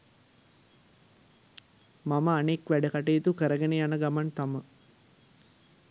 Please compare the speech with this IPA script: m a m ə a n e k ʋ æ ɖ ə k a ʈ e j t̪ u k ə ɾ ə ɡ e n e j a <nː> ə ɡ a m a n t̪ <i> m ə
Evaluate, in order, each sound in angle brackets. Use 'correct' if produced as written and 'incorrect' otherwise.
incorrect, incorrect

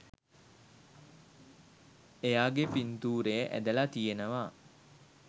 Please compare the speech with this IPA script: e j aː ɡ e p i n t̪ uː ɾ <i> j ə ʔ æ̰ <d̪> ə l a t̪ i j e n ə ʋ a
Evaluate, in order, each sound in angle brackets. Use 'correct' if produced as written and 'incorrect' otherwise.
incorrect, correct

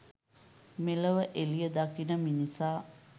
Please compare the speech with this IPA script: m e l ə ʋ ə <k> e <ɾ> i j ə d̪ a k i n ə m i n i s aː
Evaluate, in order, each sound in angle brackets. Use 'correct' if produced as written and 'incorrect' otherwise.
incorrect, incorrect

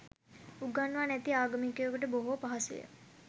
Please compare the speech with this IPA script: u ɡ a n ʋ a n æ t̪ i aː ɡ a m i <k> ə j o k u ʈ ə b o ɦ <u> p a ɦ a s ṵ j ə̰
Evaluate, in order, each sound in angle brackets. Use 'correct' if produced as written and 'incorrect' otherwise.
correct, incorrect

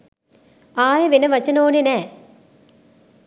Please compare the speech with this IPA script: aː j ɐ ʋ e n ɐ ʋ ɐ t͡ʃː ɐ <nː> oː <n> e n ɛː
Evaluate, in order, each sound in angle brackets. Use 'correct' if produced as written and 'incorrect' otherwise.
incorrect, correct

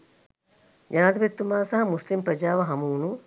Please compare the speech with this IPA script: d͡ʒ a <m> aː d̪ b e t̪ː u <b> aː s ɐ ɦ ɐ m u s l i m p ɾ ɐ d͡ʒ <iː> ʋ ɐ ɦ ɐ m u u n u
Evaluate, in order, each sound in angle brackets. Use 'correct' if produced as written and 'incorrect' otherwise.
incorrect, incorrect, incorrect

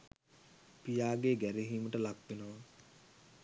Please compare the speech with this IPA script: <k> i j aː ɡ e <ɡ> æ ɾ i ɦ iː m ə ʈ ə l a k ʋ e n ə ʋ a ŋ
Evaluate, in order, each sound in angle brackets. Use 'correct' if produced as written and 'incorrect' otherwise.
incorrect, correct

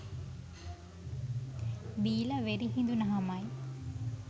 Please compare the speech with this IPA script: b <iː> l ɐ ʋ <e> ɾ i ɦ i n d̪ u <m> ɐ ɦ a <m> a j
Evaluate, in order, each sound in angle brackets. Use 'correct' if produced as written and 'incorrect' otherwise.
correct, correct, incorrect, correct

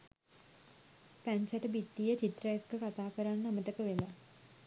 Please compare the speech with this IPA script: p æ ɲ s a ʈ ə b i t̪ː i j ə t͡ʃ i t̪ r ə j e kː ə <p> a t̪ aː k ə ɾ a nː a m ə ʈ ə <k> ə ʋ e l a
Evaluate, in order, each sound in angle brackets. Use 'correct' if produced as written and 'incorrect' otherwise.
incorrect, correct

